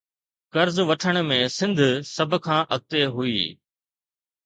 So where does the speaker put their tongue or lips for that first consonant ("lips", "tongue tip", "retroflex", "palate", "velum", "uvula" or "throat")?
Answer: velum